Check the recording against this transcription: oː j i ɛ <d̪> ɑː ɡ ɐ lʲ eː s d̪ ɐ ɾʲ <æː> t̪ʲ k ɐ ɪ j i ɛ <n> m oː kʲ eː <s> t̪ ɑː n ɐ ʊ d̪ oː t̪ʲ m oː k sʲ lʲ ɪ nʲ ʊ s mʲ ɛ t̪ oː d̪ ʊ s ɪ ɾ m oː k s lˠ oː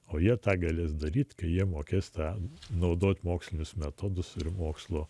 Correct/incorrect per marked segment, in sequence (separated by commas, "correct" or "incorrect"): incorrect, incorrect, incorrect, correct